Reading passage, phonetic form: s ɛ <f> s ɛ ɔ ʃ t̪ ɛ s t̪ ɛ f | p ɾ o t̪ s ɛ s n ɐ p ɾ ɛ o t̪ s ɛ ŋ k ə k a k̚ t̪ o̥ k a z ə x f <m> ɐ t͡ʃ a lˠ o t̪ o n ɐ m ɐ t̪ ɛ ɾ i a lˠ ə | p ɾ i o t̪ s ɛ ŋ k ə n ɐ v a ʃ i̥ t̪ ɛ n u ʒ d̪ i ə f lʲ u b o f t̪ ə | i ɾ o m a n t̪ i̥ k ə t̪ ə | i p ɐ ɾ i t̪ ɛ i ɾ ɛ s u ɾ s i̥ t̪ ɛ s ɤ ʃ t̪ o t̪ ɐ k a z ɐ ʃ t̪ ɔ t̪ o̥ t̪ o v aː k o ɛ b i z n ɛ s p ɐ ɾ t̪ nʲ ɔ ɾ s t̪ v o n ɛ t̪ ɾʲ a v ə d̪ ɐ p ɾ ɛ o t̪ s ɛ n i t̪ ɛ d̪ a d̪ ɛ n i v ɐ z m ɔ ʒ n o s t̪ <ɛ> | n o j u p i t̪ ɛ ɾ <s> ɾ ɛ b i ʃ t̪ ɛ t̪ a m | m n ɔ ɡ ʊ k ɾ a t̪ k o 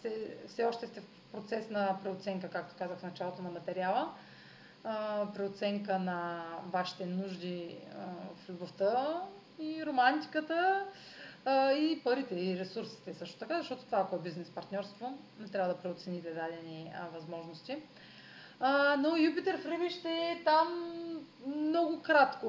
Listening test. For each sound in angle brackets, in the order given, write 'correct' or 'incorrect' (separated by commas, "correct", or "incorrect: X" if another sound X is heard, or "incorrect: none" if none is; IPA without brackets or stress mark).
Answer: correct, incorrect: n, incorrect: i, incorrect: f